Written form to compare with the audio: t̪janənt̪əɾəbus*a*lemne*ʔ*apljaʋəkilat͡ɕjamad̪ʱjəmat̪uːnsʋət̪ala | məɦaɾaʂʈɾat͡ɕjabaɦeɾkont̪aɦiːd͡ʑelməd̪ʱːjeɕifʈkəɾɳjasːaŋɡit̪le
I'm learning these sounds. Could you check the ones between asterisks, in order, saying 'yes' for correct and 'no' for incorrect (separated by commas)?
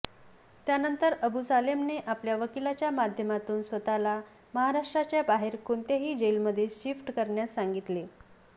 yes, yes